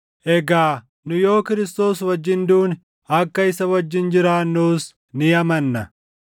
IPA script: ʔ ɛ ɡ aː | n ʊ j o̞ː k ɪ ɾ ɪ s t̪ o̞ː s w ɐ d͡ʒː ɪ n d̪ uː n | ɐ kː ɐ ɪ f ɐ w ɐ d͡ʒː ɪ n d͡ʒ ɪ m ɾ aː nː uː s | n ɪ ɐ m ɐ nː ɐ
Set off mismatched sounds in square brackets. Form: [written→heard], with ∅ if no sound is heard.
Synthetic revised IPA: ʔ ɛ ɡ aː | n ʊ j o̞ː k ɪ ɾ ɪ s t̪ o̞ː s w ɐ d͡ʒː ɪ n d̪ uː n | ɐ kː ɐ ɪ [f→s] ɐ w ɐ d͡ʒː ɪ n d͡ʒ ɪ [m→∅] ɾ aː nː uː s | n ɪ ɐ m ɐ nː ɐ